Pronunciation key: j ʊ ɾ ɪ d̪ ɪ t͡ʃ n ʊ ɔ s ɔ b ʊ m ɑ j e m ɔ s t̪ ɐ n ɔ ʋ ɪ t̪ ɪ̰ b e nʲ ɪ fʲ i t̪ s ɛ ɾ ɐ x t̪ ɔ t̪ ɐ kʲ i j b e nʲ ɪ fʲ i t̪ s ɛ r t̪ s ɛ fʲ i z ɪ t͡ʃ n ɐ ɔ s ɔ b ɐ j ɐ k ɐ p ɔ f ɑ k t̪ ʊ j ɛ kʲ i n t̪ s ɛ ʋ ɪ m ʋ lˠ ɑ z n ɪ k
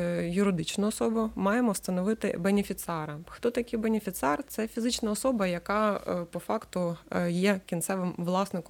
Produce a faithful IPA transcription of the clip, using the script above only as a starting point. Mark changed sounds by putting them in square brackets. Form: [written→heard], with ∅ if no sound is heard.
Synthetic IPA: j ʊ ɾ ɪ d̪ ɪ t͡ʃ n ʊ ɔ s ɔ b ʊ m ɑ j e m ɔ s t̪ ɐ n ɔ ʋ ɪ t̪ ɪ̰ b e nʲ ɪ fʲ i t̪ s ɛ ɾ ɐ x t̪ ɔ t̪ ɐ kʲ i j b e nʲ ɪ fʲ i t̪ s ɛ r t̪ s ɛ fʲ i z ɪ t͡ʃ n ɐ ɔ s ɔ b ɐ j ɐ k [ɐ→ɑ] p ɔ f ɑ k t̪ ʊ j ɛ kʲ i n t̪ s ɛ ʋ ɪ m ʋ lˠ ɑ [z→s] n ɪ k